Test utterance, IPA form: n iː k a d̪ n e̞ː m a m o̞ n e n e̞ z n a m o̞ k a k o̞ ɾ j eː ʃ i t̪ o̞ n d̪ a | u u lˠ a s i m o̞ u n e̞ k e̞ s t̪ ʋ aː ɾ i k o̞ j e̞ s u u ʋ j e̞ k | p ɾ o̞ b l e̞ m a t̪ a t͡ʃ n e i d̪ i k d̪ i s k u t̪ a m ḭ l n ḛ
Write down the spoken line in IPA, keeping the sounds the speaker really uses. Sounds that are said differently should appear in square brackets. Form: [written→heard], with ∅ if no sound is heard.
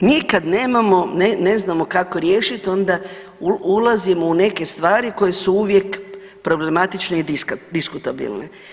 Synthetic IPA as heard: n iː k a d̪ n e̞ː m a m o̞ n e n e̞ z n a m o̞ k a k o̞ ɾ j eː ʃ i t̪ o̞ n d̪ a | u u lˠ a [s→z] i m o̞ u n e̞ k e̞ s t̪ ʋ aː ɾ i k o̞ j e̞ s u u ʋ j e̞ k | p ɾ o̞ b l e̞ m a t̪ [a→i] t͡ʃ n e i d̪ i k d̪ i s k u t̪ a [m→b] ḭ l n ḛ

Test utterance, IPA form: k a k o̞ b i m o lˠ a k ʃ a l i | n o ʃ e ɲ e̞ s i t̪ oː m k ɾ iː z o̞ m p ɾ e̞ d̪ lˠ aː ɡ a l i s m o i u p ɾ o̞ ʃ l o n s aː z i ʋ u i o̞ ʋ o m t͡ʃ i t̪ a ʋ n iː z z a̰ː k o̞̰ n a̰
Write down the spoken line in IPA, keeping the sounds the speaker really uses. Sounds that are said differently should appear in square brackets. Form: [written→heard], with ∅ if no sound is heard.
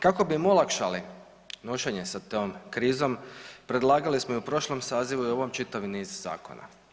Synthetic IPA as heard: k a k o̞ b i m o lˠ a k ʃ a l i | n o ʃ e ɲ e̞ s [i→a] t̪ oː m k ɾ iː z o̞ m p ɾ e̞ d̪ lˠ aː ɡ a l i s m o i u p ɾ o̞ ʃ l o [n→m] s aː z i ʋ u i o̞ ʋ o m t͡ʃ i t̪ a ʋ n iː z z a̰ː k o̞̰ n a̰

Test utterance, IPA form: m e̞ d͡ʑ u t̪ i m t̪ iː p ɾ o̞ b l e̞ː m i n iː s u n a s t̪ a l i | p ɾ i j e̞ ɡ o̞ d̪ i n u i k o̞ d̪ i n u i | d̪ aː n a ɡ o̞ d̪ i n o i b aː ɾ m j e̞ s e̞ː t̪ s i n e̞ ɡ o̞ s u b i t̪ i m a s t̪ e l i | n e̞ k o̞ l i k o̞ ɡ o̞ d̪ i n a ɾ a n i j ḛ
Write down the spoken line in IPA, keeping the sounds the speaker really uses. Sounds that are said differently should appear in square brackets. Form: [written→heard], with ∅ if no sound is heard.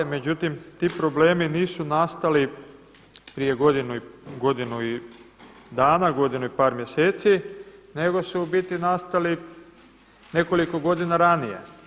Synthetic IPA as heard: m e̞ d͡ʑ u t̪ i m t̪ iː p ɾ o̞ b l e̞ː m i n iː s u n a s t̪ a l i | p ɾ i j e̞ ɡ o̞ d̪ i n u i [k→ɡ] o̞ d̪ i n u i | d̪ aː n a ɡ o̞ d̪ i n [o→u] i [b→p] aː ɾ m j e̞ s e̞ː t̪ s i n e̞ ɡ o̞ s u b i t̪ i [m→n] a s t̪ [e→a] l i | n e̞ k o̞ l i k o̞ ɡ o̞ d̪ i n a ɾ a n i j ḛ

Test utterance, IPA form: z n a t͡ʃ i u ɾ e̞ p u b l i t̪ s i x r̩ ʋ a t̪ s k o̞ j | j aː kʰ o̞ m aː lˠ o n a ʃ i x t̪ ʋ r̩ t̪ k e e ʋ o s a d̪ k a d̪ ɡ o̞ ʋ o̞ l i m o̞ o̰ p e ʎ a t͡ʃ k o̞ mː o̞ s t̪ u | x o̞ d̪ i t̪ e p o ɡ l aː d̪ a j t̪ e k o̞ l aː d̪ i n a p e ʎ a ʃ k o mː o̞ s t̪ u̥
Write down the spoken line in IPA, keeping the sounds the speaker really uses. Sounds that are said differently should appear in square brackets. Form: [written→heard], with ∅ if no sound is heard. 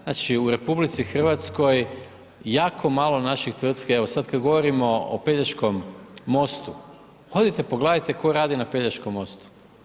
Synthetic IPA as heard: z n a t͡ʃ i u ɾ e̞ p u b l i t̪ s i x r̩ ʋ a t̪ s k o̞ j | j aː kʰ o̞ m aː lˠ o n a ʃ i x t̪ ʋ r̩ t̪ k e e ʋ o s a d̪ k a d̪ ɡ o̞ ʋ o̞ [l→ɾ] i m o̞ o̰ p e ʎ a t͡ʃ k o̞ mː o̞ s t̪ u | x o̞ d̪ i t̪ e p o ɡ l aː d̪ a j t̪ e k o̞ [l→ɾ] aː d̪ i n a p e ʎ a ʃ k o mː o̞ s t̪ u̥

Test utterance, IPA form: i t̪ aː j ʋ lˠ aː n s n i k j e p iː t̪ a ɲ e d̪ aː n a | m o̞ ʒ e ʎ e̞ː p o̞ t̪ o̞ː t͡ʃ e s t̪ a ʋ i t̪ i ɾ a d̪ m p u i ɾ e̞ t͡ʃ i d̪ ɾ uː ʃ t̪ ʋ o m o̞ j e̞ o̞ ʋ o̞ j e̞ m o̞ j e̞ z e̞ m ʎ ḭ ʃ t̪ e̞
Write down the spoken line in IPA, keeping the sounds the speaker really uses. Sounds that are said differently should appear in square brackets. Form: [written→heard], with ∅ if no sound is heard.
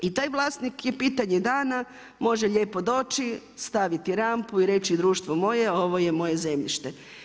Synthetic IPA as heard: i t̪ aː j ʋ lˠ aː [n→∅] s n i k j e p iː t̪ a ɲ e d̪ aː n a | m o̞ ʒ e ʎ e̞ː p o̞ [t̪→d̪] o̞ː t͡ʃ [e→i] s t̪ a ʋ i t̪ i ɾ a [d̪→∅] m p u i ɾ e̞ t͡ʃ i d̪ ɾ uː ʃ t̪ ʋ o m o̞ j e̞ o̞ ʋ o̞ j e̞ m o̞ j e̞ z e̞ m ʎ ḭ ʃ t̪ e̞

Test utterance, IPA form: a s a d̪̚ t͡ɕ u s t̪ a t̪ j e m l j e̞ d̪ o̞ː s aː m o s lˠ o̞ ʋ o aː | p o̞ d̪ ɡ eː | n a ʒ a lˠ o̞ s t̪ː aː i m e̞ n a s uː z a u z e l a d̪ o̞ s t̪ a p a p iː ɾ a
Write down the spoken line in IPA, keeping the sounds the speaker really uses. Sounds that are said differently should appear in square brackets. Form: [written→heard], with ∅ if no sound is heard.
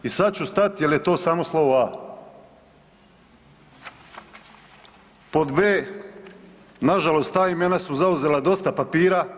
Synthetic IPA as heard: [a→i] s a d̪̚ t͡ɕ u s t̪ a t̪ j e [m→∅] l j e̞ [d̪→t̪] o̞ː s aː m o s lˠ o̞ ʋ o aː | p o̞ d̪ [ɡ→b] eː | n a ʒ a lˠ o̞ s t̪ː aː i m e̞ n a s [uː→u] z a u z e l a d̪ o̞ s t̪ a p a p iː ɾ a

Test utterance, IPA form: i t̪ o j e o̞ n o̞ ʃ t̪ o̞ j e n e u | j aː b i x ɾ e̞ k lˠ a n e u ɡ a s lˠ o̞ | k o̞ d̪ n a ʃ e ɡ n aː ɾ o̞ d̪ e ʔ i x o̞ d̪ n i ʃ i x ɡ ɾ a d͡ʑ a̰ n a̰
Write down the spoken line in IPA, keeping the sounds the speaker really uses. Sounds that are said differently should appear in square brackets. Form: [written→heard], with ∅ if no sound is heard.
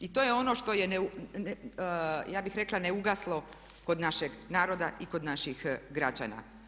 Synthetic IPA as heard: i t̪ o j e o̞ n o̞ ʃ t̪ o̞ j e n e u | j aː b i x ɾ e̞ k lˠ a n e u ɡ a s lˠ o̞ | k o̞ d̪ n a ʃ e ɡ n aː ɾ o̞ d̪ [e→a] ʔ i [x→k] o̞ d̪ n [i→a] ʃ i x ɡ ɾ a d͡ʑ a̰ n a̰

